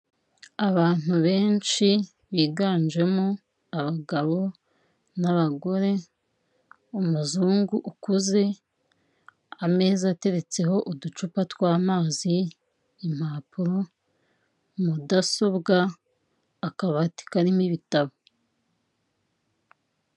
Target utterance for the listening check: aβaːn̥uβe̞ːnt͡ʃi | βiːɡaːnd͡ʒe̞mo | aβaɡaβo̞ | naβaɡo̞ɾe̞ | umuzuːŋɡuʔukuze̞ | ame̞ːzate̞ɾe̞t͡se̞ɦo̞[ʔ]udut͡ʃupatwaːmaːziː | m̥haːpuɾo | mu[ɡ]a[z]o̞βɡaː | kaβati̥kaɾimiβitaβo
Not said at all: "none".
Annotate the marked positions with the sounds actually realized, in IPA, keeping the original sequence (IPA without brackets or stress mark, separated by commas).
ʔ, d, s